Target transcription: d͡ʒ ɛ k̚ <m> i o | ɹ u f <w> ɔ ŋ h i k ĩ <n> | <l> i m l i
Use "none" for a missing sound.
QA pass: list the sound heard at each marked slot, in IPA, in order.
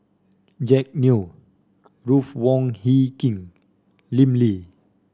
n, w, ŋ, l

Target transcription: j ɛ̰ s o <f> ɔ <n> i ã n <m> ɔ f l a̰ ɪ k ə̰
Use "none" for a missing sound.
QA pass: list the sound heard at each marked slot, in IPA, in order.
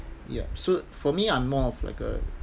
f, m, m

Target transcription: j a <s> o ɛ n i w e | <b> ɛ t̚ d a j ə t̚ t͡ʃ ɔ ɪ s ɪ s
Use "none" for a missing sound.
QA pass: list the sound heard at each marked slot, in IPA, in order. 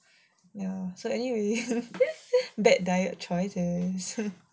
s, b

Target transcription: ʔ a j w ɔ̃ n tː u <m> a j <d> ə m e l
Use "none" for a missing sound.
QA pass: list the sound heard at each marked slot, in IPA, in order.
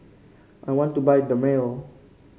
b, d

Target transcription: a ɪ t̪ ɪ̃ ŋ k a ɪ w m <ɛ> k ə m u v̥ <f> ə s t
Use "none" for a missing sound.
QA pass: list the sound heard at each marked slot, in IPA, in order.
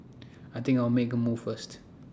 e, f

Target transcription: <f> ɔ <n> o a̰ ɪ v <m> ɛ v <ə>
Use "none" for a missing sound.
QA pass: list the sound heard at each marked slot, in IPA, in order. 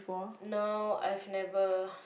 f, n, n, ə

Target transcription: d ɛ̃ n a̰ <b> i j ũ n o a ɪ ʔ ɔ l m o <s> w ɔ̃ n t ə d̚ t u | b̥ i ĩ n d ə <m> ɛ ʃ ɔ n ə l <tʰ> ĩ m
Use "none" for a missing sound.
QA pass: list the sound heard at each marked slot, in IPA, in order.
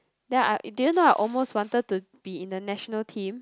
d, s, n, tʰ

